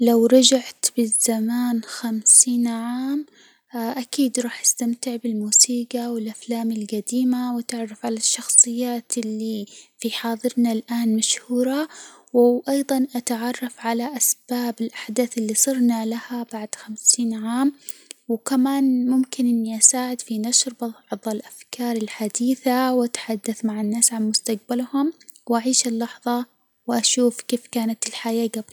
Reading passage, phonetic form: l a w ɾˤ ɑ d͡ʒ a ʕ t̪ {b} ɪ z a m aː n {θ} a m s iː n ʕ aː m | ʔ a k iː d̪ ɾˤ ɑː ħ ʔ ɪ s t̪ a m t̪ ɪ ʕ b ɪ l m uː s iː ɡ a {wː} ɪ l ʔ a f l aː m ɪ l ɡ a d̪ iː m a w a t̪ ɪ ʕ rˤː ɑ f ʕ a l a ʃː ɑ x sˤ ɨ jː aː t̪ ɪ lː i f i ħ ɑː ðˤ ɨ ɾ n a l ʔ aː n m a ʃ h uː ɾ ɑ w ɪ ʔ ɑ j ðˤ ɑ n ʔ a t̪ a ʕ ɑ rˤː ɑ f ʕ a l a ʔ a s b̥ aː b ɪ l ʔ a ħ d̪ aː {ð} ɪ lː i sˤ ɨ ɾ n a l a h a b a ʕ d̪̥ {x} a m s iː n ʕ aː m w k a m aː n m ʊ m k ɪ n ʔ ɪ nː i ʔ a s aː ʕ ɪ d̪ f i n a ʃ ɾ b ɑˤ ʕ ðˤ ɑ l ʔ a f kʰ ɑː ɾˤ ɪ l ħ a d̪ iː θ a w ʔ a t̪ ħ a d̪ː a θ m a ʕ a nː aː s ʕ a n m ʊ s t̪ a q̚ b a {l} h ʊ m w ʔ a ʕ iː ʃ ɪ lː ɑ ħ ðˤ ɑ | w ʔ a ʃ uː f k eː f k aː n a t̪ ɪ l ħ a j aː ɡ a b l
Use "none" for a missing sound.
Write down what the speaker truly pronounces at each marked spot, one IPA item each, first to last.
b, x, w, θ, x, l

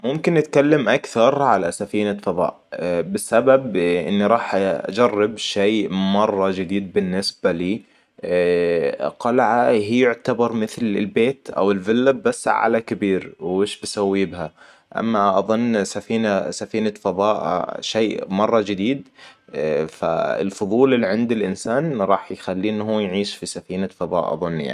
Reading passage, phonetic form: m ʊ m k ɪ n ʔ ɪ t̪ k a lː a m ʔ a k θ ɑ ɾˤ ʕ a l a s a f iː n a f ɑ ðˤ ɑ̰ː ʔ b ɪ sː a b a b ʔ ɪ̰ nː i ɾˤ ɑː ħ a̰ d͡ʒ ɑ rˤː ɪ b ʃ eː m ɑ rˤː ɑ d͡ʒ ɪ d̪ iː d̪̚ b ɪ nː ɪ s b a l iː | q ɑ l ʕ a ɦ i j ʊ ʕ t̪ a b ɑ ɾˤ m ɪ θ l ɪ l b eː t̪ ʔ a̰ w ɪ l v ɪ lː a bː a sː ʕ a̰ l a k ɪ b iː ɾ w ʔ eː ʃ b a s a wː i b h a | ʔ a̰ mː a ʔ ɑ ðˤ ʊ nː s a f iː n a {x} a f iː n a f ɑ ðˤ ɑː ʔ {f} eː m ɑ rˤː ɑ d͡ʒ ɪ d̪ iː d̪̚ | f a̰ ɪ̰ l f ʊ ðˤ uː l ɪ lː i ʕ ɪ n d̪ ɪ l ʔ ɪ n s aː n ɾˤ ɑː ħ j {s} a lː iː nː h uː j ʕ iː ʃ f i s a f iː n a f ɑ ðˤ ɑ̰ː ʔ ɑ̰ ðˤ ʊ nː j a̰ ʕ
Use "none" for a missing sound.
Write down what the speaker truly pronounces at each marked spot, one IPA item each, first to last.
s, ʃ, x

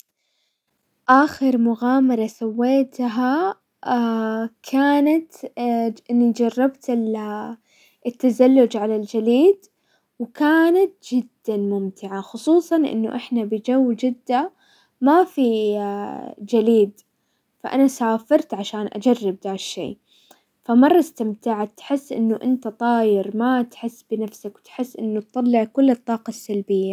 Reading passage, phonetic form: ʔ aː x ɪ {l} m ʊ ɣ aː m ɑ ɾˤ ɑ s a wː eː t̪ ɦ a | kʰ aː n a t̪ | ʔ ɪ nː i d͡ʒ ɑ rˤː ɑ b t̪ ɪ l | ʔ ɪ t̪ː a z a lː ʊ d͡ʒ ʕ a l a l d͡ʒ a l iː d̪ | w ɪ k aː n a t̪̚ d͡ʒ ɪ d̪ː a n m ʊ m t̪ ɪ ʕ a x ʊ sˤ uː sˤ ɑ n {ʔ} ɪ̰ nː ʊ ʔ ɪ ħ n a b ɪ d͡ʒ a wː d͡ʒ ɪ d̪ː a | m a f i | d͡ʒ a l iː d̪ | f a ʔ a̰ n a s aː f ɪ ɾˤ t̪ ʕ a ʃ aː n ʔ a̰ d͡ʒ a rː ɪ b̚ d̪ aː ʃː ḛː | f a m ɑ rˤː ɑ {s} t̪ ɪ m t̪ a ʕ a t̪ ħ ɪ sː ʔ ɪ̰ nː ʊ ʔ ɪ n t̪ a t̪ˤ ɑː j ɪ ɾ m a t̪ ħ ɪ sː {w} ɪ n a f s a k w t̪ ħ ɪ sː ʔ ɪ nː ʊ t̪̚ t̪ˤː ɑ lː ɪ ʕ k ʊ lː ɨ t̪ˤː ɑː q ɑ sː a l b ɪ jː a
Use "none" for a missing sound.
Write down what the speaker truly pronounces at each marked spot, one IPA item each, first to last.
ɾ, ʔ, s, b

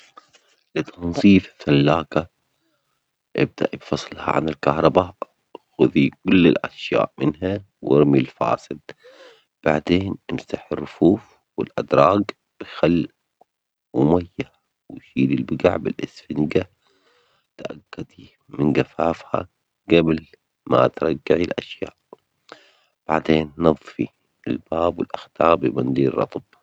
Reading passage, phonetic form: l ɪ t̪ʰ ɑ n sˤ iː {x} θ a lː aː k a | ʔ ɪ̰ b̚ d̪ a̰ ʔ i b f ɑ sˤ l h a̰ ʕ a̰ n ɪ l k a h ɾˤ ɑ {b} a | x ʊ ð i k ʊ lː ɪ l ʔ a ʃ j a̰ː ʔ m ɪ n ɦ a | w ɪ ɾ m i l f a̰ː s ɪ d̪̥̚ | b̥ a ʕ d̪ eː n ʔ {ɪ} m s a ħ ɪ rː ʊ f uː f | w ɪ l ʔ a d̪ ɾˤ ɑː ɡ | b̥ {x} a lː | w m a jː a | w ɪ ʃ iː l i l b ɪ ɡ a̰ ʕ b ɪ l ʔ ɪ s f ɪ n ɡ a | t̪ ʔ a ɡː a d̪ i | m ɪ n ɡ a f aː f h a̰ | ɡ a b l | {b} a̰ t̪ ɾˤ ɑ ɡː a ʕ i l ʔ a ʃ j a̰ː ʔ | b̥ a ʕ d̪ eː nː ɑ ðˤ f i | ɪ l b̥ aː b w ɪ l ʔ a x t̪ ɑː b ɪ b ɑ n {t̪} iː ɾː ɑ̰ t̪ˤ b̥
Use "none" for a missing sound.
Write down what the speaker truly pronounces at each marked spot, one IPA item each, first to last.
f, b, ɪ, x, m, d̪

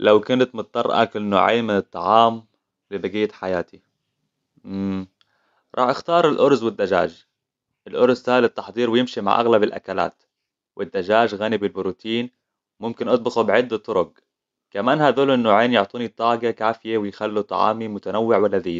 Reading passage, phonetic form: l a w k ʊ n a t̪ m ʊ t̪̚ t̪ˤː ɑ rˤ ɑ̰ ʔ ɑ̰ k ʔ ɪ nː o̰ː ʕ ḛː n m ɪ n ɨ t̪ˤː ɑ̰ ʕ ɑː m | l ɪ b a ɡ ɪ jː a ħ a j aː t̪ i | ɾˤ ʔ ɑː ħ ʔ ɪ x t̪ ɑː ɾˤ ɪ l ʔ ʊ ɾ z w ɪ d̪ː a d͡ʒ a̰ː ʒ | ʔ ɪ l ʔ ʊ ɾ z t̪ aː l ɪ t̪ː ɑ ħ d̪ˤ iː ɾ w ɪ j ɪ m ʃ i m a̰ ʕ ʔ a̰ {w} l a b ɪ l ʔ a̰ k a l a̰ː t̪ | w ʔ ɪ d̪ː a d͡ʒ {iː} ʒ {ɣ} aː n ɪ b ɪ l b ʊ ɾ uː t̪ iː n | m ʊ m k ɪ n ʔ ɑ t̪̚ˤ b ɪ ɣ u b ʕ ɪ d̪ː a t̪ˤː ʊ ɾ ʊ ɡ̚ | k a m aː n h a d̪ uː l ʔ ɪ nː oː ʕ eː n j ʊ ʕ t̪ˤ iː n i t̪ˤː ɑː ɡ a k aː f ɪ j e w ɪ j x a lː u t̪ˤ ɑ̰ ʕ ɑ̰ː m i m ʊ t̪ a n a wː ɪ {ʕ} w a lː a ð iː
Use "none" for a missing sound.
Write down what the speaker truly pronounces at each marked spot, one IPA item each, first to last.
ɣ, aː, ɣ, ʕ

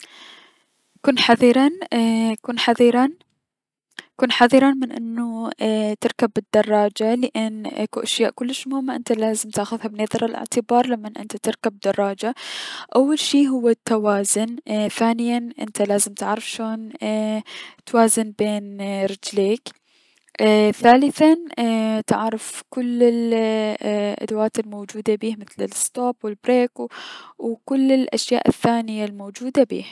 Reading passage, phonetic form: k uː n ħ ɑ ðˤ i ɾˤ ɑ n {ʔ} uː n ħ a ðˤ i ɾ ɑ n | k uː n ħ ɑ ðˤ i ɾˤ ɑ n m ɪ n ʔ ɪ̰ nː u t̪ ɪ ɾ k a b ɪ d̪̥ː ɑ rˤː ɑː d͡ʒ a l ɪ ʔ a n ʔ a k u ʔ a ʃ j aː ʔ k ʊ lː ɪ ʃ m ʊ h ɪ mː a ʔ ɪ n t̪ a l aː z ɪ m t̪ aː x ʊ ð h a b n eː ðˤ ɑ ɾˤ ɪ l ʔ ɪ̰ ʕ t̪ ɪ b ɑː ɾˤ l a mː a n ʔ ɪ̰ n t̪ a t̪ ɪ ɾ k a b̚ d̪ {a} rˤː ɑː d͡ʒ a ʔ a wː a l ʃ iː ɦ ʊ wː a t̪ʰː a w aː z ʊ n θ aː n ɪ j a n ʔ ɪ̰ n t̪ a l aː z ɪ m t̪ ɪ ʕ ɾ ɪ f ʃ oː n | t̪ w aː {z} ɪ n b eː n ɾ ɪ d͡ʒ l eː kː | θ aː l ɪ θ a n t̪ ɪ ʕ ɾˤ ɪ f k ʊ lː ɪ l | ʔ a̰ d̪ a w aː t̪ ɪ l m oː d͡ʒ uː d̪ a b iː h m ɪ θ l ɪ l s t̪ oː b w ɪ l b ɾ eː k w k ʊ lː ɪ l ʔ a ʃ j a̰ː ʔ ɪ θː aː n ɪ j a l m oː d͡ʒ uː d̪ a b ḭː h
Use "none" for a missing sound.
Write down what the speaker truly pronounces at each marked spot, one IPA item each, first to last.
k, ɑ, z

